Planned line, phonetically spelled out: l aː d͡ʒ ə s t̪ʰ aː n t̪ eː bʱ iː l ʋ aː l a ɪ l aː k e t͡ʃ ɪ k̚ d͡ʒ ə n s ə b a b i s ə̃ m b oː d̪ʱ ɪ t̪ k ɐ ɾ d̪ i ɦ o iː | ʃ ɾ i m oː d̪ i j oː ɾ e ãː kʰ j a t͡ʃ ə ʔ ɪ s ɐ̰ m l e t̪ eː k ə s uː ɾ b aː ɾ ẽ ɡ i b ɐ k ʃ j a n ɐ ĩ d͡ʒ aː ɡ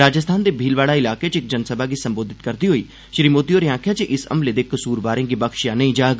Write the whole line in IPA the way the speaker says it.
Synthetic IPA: ɾ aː d͡ʒ ə s t̪ʰ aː n d̪ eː bʱ iː l ʋ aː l a ɪ l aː k e t͡ʃ ɪ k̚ d͡ʒ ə n s ə b a ɡ i s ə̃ m b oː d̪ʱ ɪ t̪ k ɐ ɾ d̪ i ɦ o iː | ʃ ɾ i m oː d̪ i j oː ɾ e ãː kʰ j a t͡ʃ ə ʔ ɪ s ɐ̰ m l e d̪ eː k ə s uː ɾ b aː ɾ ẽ ɡ i b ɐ k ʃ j a n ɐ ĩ d͡ʒ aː ɡ

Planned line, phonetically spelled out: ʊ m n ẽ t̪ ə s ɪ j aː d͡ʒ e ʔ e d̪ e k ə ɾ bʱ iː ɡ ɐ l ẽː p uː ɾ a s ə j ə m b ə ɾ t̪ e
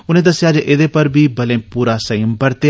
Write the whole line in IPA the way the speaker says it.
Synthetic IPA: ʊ n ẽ d̪ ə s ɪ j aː d͡ʒ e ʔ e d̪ e p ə ɾ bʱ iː b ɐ l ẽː p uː ɾ a s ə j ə m b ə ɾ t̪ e

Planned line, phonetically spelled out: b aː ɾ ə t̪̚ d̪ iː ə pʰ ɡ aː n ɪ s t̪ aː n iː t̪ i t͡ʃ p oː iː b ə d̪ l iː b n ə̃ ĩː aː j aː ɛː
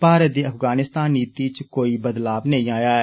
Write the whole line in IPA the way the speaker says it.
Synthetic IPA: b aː ɾ ə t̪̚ d̪ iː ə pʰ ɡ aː n ɪ s t̪ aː n iː t̪ i t͡ʃ k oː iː b ə d̪ l aː b n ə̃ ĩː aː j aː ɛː

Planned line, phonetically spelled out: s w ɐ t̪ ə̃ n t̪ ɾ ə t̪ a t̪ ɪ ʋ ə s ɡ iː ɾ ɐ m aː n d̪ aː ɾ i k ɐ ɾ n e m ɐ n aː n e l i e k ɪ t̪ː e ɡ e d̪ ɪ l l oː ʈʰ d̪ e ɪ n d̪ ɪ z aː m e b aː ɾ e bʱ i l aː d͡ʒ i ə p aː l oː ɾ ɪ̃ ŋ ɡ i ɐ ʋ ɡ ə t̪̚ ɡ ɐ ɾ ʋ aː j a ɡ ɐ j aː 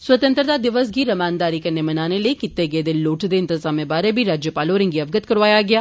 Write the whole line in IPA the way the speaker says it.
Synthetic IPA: s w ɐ t̪ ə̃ n t̪ ɾ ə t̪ a d̪ ɪ ʋ ə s ɡ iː ɾ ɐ m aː n d̪ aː ɾ i k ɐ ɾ n e m ɐ n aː n e l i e k ɪ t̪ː e ɡ e d̪ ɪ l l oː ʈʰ d̪ e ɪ n t̪ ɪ z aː m e b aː ɾ e bʱ i ɾ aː d͡ʒ j ə p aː l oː ɾ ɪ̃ ŋ ɡ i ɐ ʋ ɡ ə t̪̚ k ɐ ɾ ʋ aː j a ɡ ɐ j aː

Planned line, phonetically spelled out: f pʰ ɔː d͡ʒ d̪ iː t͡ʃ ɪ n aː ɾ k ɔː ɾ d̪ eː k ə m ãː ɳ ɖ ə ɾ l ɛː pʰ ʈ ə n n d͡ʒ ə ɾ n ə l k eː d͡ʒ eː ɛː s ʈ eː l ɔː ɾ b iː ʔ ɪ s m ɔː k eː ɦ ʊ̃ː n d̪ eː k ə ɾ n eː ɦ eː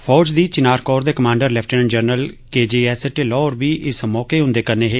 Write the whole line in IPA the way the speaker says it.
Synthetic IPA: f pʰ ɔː d͡ʒ d̪ iː t͡ʃ ɪ n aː ɾ k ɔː ɾ d̪ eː k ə m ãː ɳ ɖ ə ɾ l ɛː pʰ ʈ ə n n d͡ʒ ə ɾ n ə l k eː d͡ʒ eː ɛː s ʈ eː l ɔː ɾ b iː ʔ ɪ s m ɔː k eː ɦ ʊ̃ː n d̪ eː k ə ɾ n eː ɦ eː

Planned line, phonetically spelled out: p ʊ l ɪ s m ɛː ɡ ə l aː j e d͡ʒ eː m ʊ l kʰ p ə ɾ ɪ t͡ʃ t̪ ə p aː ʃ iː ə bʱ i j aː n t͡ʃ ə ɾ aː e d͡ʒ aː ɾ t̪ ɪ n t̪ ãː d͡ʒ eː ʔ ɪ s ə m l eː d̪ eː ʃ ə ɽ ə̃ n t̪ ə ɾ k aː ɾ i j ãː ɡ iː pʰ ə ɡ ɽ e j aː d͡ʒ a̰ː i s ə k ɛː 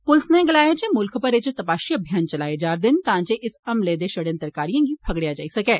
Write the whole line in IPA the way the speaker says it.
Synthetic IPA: p ʊ l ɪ s n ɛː ɡ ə l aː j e d͡ʒ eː m ʊ l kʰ p ə ɾ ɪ t͡ʃ t̪ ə p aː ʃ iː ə bʱ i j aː n t͡ʃ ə l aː e d͡ʒ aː ɾ d̪ ɪ n t̪ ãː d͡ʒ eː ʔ ɪ s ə m l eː d̪ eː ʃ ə ɽ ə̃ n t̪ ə ɾ k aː ɾ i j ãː ɡ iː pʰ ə ɡ ɽ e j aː d͡ʒ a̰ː i s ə k ɛː

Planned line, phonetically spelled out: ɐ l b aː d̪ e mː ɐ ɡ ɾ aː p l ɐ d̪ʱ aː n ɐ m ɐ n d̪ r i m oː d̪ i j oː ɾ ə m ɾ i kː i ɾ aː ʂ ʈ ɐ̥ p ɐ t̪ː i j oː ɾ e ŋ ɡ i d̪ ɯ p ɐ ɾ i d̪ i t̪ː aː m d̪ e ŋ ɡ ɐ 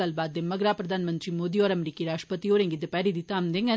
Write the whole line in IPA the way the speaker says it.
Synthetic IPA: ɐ l b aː d̪ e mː ɐ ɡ ɾ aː p ɾ ɐ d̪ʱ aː n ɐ m ɐ n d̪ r i m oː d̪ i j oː ɾ ɐ m ɾ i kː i ɾ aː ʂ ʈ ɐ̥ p ɐ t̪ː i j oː ɾ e ŋ ɡ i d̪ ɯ p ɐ ɾ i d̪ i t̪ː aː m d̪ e ŋ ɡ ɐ

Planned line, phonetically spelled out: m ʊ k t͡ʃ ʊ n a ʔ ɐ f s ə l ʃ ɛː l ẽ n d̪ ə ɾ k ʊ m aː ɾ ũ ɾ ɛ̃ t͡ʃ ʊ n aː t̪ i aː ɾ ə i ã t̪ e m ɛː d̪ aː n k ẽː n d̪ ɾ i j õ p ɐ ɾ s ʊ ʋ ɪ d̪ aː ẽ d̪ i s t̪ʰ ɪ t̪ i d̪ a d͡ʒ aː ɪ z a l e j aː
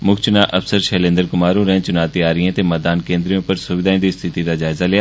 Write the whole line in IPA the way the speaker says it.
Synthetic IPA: m ʊ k t͡ʃ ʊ n a ʔ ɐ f s ə ɾ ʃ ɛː l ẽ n d̪ ə ɾ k ʊ m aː ɾ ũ ɾ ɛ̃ t͡ʃ ʊ n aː t̪ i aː ɾ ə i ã t̪ e m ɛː d̪ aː n k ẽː n d̪ ɾ i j õ p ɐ ɾ s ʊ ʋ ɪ d̪ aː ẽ d̪ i s t̪ʰ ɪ t̪ i d̪ a d͡ʒ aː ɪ z a l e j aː

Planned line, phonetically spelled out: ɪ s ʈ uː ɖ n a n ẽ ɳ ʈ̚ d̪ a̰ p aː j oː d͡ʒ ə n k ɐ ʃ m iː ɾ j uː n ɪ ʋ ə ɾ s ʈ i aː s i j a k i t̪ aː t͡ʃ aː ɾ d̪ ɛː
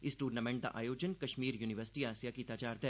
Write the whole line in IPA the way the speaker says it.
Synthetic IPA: ɪ s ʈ uː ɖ n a m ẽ ɳ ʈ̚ d̪ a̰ ʔ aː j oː d͡ʒ ə n k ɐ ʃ m iː ɾ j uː n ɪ ʋ ə ɾ s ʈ i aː s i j a k i t̪ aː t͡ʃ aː ɾ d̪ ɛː

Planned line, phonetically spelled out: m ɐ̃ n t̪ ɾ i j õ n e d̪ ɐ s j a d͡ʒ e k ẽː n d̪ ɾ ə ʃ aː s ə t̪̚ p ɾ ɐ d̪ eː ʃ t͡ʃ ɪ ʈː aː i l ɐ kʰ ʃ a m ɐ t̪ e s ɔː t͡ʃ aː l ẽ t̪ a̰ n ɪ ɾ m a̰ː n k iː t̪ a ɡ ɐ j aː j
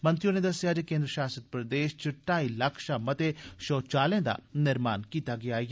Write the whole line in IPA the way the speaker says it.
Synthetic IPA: m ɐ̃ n t̪ ɾ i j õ n e d̪ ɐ s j a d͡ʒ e k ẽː n d̪ ɾ ə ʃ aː s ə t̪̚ p ɾ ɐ d̪ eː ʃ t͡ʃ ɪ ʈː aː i l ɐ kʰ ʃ a m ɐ t̪ e ʃ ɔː t͡ʃ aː l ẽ d̪ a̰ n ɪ ɾ m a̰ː n k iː t̪ a ɡ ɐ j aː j

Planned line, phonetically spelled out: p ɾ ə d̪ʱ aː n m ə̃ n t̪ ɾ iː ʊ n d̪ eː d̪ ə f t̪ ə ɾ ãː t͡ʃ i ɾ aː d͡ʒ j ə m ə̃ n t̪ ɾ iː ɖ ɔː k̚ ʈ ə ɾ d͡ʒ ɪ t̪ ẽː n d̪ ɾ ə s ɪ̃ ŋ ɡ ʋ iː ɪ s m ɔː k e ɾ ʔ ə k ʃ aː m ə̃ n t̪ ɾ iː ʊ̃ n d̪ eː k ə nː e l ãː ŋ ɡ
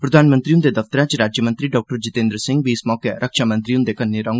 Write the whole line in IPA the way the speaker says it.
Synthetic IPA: p ɾ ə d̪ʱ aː n m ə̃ n t̪ ɾ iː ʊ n d̪ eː d̪ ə f t̪ ə ɾ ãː t͡ʃ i ɾ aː d͡ʒ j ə m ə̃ n t̪ ɾ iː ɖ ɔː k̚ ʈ ə ɾ d͡ʒ ɪ t̪ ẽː n d̪ ɾ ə s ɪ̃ ŋ ɡ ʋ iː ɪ s m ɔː k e ɾ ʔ ə k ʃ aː m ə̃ n t̪ ɾ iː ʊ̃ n d̪ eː k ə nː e ɾ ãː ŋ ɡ

